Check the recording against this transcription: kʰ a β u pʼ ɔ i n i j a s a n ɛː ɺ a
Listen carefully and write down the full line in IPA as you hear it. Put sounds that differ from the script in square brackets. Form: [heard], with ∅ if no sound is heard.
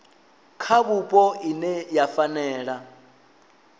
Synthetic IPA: kʰ a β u pʼ ɔ i n [ɛ] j a [f] a n ɛː ɺ a